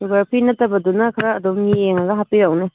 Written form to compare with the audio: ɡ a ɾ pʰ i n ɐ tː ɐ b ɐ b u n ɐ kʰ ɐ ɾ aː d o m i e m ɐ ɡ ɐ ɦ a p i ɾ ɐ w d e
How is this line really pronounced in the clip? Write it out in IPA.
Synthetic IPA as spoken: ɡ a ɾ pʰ i n ɐ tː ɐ b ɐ d u n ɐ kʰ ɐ ɾ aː d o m i e ŋ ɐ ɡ ɐ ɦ a p i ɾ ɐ w n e